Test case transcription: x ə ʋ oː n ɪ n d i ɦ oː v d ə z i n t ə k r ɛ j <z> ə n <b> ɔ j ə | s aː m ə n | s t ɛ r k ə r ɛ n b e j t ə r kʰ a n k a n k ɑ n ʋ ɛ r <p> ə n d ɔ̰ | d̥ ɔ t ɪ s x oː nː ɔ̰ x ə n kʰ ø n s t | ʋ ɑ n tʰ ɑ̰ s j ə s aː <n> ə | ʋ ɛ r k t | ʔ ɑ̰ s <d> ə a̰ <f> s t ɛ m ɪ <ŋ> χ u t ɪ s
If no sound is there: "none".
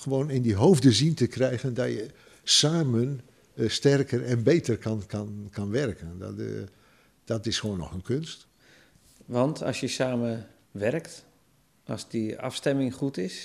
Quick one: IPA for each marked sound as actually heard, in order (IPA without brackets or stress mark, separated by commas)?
ɣ, d, k, m, d, f, ŋ